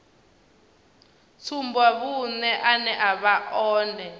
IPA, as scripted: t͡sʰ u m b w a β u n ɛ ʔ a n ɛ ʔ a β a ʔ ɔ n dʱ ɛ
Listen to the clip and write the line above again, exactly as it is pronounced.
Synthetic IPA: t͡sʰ u m b w a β u n ɛ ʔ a n ɛ ʔ a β a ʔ ɔː n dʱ ɛ

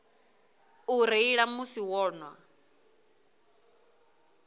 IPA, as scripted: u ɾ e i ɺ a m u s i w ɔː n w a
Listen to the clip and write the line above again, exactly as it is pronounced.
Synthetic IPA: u ɾ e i ɺ a m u s i w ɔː n w a

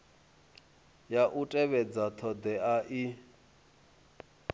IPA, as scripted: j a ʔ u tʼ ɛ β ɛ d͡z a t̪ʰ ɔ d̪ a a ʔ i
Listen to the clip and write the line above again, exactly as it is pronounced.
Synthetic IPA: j a ʔ u tʼ ɛ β ɛ d͡z a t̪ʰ ɔ d̪ ɛ a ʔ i

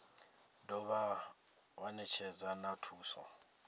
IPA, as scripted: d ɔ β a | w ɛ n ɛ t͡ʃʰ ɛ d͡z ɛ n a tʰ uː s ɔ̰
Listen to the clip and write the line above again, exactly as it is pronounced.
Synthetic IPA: d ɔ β a | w a n ɛ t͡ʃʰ ɛ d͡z a n a tʰ uː s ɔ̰

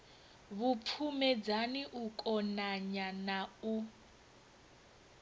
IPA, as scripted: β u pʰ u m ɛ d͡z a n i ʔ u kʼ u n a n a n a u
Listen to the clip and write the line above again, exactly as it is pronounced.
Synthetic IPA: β u pʰ u m ɛ d͡z a n i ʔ u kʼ ɔ n a ɲ a n a u

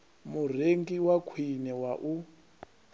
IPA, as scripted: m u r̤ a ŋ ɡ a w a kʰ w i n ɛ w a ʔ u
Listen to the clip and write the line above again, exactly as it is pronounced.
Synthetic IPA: m u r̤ e ŋ ɡ i w a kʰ w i n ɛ w a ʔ u

